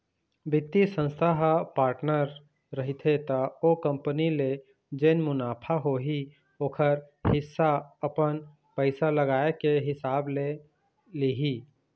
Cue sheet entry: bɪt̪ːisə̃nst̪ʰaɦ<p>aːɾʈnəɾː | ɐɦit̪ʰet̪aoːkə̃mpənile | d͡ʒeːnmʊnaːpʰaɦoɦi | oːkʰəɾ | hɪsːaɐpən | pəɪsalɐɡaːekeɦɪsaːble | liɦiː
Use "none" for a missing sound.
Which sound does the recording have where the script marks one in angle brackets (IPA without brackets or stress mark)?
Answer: p